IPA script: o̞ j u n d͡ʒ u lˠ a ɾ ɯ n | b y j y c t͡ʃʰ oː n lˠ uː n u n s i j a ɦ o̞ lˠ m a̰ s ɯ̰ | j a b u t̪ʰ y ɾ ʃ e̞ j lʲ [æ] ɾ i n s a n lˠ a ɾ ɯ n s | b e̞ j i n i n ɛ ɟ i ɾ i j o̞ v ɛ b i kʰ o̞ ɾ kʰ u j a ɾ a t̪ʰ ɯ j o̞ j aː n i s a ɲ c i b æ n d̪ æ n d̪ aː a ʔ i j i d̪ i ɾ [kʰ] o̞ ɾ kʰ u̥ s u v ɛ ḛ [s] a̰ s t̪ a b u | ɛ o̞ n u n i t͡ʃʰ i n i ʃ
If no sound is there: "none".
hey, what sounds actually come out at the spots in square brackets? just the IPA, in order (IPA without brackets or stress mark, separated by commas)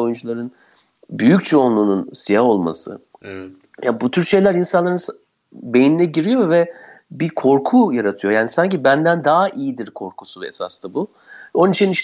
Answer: æ, kʰ, s